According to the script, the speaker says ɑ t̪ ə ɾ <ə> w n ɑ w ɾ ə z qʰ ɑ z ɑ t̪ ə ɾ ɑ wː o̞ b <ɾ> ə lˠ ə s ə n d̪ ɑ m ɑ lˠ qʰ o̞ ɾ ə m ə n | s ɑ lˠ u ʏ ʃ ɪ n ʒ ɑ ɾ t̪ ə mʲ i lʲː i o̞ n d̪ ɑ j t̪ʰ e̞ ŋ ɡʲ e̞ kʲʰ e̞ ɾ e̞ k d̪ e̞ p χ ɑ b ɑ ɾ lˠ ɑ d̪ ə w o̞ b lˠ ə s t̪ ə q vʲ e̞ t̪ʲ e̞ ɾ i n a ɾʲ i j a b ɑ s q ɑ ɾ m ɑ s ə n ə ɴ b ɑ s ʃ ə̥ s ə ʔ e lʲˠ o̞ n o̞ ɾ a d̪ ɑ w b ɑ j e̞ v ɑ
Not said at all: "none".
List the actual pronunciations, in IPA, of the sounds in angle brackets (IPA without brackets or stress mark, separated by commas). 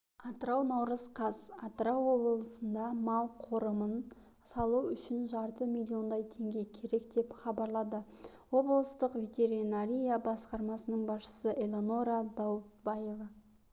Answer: ɑ, l